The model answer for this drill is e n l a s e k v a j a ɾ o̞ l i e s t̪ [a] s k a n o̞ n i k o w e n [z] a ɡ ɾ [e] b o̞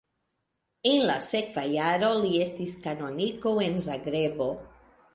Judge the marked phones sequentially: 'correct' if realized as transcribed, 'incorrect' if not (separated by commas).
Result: incorrect, correct, correct